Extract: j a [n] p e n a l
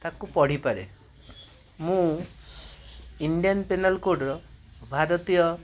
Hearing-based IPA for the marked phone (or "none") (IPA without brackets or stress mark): n